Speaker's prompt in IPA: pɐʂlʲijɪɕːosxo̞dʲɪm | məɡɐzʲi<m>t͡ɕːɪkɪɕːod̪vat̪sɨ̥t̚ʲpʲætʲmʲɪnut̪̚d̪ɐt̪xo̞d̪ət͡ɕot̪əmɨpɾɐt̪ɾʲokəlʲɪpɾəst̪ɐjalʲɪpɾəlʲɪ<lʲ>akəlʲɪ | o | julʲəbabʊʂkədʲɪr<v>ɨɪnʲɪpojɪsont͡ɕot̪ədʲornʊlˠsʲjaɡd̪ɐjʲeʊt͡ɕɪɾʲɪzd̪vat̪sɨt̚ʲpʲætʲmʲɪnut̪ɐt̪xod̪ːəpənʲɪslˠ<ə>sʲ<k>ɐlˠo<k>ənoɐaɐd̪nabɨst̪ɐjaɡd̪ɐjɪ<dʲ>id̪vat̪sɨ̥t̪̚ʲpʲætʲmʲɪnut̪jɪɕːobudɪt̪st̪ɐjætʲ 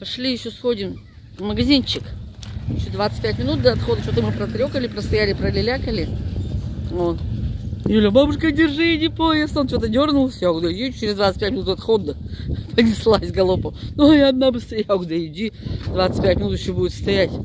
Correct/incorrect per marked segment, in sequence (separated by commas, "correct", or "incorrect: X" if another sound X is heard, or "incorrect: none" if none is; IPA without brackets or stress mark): incorrect: n, correct, incorrect: ʐ, incorrect: a, incorrect: ɡ, incorrect: p, correct